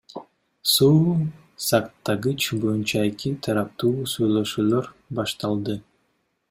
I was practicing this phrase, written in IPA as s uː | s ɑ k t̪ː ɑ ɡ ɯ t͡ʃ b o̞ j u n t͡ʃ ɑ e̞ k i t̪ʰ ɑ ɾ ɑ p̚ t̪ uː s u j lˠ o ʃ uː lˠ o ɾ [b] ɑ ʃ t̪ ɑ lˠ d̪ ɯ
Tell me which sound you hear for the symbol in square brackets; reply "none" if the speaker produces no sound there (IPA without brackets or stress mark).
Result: b